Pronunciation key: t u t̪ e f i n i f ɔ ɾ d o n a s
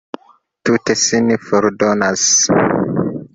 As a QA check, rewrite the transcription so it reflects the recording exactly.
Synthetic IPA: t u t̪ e s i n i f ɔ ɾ d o n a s